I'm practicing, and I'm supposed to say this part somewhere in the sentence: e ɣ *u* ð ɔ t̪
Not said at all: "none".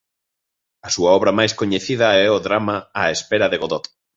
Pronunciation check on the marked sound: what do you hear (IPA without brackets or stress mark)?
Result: o